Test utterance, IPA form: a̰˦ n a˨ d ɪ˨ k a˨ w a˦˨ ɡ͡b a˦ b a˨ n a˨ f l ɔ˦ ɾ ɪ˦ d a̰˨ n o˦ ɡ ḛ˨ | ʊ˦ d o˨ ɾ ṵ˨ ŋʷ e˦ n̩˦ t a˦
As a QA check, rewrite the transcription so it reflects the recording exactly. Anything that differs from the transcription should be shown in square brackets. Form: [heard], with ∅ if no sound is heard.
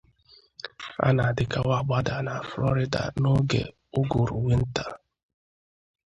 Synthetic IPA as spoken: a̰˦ n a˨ d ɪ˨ k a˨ w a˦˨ ɡ͡b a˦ [d] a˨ n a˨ f l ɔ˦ ɾ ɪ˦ d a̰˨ n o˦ ɡ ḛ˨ | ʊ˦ [ɡ] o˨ ɾ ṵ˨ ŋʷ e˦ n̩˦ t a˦